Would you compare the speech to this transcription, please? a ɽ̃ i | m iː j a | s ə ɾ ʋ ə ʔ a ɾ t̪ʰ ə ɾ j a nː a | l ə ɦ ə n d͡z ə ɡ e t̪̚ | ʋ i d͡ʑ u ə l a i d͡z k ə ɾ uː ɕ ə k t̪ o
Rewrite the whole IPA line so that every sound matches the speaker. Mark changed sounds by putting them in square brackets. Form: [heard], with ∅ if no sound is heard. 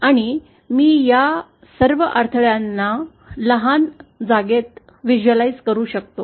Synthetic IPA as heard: a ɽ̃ i | m iː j a | s ə ɾ ʋ ə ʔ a ɾ t̪ʰ ə [ɭ] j a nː a | l ə ɦ [a] n d͡z [a] ɡ e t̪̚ | ʋ i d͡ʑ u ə l a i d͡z k ə ɾ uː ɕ ə k t̪ o